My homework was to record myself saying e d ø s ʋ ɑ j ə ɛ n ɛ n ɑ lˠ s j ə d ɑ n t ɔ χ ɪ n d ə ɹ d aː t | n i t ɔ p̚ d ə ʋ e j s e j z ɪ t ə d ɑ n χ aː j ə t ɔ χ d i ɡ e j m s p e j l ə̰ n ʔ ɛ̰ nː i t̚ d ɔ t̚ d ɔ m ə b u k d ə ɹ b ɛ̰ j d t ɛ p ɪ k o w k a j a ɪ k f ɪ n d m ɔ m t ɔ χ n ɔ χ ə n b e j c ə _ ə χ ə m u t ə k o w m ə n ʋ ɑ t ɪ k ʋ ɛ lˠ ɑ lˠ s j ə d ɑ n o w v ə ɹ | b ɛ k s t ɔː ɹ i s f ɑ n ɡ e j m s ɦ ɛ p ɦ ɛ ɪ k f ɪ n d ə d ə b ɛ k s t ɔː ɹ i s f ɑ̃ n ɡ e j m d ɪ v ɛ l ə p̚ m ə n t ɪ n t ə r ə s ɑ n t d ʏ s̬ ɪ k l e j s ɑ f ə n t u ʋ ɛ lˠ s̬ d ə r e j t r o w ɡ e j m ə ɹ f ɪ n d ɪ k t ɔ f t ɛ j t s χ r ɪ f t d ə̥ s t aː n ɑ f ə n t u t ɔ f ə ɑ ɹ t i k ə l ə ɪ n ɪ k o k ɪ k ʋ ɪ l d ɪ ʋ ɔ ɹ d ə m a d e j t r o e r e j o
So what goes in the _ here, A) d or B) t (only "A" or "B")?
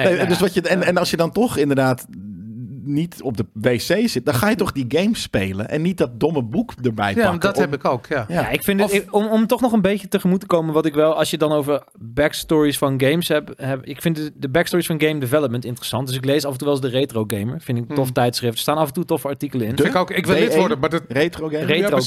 B